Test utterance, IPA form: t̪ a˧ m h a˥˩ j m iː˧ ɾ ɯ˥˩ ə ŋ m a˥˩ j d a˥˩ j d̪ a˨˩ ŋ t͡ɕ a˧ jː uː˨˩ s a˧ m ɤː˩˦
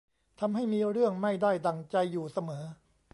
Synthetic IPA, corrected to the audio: t̪ʰ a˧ m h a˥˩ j m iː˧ ɾ ɯ˥˩ ə ŋ m a˥˩ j d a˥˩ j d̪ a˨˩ ŋ t͡ɕ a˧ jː uː˨˩ s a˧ m ɤː˩˦